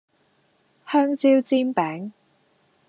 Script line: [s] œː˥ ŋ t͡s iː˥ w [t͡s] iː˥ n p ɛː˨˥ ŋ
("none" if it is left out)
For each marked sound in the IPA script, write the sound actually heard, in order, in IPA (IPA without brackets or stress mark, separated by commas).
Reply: h, t͡s